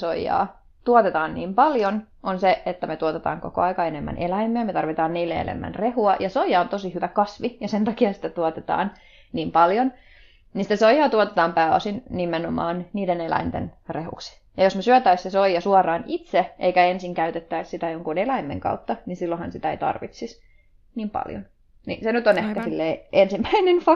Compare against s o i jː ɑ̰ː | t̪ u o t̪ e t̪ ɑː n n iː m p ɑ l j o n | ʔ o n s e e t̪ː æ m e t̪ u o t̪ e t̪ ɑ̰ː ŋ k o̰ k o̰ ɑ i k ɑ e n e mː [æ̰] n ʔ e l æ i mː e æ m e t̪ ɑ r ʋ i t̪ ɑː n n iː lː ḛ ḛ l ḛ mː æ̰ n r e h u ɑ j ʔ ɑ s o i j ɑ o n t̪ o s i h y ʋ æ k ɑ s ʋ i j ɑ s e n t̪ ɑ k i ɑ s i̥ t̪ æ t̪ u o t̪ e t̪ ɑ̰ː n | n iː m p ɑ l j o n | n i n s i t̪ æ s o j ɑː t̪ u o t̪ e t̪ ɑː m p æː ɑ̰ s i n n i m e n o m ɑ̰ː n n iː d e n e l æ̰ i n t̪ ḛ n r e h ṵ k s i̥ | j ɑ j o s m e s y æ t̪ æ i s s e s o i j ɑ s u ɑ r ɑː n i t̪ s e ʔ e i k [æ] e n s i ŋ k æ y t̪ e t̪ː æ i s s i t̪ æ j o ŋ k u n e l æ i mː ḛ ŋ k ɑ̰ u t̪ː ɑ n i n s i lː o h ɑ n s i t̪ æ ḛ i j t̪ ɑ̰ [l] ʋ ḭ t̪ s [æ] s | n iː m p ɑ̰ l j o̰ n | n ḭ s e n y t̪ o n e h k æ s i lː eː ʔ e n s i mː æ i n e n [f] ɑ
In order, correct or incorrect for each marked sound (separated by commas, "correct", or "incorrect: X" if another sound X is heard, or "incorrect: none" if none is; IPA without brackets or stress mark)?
correct, correct, incorrect: r, incorrect: i, correct